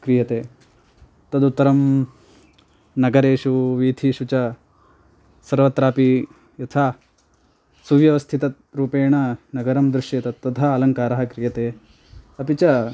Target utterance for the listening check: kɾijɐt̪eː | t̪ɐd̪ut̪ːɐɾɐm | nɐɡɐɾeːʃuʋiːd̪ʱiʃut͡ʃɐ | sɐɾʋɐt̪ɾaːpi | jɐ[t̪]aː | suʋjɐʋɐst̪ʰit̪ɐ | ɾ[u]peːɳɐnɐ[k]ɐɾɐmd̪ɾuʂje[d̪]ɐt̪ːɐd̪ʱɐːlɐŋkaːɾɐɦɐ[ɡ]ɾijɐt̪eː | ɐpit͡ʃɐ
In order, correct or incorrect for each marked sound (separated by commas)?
incorrect, incorrect, incorrect, incorrect, incorrect